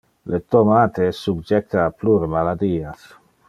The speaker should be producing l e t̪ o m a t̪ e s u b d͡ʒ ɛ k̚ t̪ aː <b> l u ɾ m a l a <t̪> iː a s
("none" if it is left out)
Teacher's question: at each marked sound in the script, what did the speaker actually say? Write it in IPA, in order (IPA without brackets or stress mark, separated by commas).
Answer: p, d̪